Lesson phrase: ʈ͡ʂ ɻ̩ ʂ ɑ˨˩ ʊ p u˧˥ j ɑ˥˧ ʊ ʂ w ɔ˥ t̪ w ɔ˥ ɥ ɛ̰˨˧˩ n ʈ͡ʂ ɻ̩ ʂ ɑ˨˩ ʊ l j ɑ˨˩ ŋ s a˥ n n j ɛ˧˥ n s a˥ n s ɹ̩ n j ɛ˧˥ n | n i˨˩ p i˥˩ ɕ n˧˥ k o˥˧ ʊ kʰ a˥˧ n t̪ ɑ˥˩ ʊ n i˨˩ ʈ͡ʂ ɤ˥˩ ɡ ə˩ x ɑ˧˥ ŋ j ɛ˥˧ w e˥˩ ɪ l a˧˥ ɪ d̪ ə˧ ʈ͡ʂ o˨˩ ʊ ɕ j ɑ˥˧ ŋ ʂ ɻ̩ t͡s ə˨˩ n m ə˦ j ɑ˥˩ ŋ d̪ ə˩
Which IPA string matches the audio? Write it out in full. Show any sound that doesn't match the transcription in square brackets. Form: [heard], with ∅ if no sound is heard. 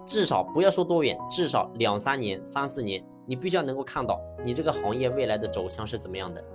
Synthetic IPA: ʈ͡ʂ ɻ̩ ʂ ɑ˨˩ ʊ p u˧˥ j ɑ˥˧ ʊ ʂ w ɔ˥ t̪ w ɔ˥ ɥ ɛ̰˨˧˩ n ʈ͡ʂ ɻ̩ ʂ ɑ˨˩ ʊ l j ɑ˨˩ ŋ s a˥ n n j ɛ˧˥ n s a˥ n s ɹ̩ n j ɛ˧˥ n | n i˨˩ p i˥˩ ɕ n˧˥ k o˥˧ ʊ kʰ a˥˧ n t̪ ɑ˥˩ ʊ n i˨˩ ʈ͡ʂ ɤ˥˩ ɡ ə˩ x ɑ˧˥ ŋ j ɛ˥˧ w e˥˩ ɪ l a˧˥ ɪ d̪ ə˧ ʈ͡ʂ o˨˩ ʊ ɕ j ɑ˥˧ ŋ ʂ ɻ̩ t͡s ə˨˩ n m ə˦ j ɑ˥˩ ŋ d̪ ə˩